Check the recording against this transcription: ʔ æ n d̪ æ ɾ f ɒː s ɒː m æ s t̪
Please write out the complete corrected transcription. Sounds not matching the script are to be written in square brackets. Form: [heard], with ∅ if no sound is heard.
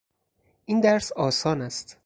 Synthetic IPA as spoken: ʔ [i] n d̪ æ ɾ [s] ɒː s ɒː [n] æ s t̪